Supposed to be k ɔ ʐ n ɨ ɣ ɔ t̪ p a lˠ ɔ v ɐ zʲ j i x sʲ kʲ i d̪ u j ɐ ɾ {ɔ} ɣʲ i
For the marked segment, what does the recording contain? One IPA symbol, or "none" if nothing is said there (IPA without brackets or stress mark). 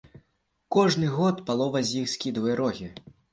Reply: ɔ